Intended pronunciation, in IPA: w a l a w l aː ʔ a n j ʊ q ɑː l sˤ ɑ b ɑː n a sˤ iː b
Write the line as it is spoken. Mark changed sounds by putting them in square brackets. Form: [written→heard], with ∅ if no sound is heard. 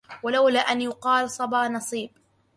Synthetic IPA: w a l a w l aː ʔ a n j ʊ q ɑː l sˤ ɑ b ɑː n [a→ɑ] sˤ iː b

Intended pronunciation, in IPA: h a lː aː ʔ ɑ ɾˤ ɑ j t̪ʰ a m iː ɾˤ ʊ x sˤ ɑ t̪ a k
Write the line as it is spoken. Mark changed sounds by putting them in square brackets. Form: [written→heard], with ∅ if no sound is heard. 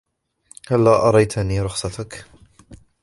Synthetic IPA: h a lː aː ʔ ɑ ɾˤ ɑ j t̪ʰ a [m→n] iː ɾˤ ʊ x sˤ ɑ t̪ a k

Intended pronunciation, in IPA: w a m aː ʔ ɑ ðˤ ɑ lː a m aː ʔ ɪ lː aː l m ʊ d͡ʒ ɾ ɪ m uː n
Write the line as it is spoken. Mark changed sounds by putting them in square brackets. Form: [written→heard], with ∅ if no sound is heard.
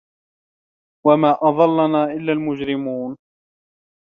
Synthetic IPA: w a m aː ʔ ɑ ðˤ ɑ lː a [m→n] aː ʔ ɪ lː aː l m ʊ d͡ʒ ɾ ɪ m uː n

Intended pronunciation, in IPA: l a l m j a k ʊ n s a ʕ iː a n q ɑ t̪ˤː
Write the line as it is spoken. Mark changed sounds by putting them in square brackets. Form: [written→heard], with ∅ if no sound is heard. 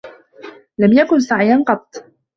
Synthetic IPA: l a [l→∅] m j a k ʊ n s a ʕ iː a n q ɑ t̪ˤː

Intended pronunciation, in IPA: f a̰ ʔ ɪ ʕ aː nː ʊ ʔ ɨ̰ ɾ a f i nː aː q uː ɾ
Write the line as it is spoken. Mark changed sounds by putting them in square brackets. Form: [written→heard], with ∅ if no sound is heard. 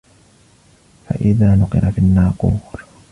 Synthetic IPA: f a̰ ʔ ɪ [ʕ→ð] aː [nː→n] ʊ [ʔ→q] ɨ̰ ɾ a f i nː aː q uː ɾ

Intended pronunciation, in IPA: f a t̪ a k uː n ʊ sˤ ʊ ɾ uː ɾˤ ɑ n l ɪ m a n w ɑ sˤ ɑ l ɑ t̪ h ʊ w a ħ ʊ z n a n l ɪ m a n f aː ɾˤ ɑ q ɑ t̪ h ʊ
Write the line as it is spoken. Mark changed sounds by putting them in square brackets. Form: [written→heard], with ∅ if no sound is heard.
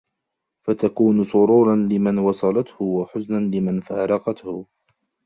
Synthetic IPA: f a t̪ a k uː n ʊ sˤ ʊ ɾ uː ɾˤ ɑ n l ɪ m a n w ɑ sˤ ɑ l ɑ t̪ h ʊ w a ħ ʊ z n a n l ɪ m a n f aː ɾˤ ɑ q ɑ t̪ h ʊ

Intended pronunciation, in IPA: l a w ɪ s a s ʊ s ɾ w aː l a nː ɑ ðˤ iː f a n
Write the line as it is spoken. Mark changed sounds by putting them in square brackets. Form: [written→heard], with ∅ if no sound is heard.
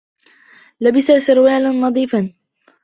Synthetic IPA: l a [w→b] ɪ s a s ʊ [s→∅] ɾ w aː l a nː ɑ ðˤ iː f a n

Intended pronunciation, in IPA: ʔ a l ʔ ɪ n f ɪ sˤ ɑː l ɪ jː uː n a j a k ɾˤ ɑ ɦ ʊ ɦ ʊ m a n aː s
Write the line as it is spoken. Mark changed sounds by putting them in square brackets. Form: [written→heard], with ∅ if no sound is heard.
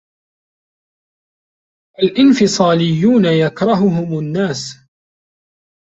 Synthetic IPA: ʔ a l ʔ ɪ n f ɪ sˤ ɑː l ɪ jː uː n a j a k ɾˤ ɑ ɦ ʊ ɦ ʊ m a [n→nː] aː s

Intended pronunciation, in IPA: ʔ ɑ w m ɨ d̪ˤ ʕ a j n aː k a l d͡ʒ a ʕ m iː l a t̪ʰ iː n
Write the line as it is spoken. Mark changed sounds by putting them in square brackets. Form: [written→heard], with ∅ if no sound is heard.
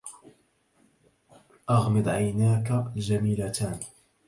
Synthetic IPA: ʔ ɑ [w→ɣ] m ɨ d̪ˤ ʕ a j n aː k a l d͡ʒ a [ʕ→∅] m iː l a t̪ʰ [iː→aː] n

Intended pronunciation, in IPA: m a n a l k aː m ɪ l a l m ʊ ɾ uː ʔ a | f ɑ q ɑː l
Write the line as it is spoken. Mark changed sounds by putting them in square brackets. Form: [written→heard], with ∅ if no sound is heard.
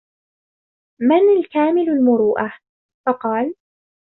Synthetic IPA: m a n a l k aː m ɪ l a l m ʊ ɾ uː ʔ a | f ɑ q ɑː l

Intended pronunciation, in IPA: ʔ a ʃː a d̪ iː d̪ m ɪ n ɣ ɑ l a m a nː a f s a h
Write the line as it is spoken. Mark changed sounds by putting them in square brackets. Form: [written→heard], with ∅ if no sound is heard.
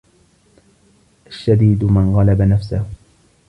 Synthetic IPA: ʔ a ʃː a d̪ iː d̪ m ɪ n ɣ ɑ l a [m→b] a [nː→n] a f s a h

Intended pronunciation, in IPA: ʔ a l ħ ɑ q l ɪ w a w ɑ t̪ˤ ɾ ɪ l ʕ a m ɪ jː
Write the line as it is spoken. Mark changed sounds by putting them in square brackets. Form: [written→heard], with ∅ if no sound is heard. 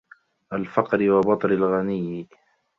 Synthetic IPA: ʔ a l [ħ→f] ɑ q [l→ɾ] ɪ w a [w→b] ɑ t̪ˤ ɾ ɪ l [ʕ→ɣ] a [m→n] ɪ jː

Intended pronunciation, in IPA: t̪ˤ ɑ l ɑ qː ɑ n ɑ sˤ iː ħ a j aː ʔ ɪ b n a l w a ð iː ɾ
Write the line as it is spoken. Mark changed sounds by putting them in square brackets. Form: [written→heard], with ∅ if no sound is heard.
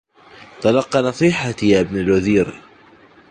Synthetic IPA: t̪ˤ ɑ l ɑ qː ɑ n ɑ sˤ iː ħ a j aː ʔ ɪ b n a l w a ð iː ɾ

